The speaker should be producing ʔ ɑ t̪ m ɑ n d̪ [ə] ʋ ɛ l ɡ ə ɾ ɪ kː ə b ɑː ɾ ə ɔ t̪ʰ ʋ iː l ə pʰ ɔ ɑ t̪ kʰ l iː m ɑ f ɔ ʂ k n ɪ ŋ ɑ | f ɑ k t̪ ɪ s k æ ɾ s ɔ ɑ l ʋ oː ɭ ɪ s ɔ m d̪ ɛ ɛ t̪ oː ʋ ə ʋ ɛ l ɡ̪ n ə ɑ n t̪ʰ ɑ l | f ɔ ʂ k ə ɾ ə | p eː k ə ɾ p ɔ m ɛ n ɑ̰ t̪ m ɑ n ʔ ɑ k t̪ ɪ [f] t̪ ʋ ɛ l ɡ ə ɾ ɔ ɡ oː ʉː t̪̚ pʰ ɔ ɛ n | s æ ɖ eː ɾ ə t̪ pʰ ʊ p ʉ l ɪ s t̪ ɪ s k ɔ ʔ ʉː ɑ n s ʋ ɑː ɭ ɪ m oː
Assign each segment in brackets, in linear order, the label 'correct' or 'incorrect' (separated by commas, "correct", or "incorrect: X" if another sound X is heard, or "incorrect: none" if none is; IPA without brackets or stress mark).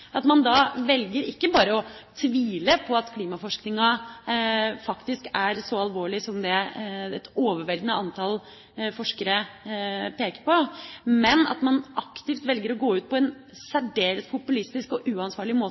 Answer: incorrect: ɑ, correct